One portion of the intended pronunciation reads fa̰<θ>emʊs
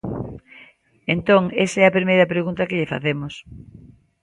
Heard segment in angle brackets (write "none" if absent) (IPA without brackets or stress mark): θ